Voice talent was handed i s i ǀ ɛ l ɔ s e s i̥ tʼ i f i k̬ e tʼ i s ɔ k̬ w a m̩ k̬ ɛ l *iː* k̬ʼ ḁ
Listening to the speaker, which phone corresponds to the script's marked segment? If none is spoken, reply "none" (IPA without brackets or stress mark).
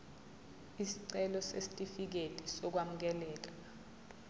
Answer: ɛː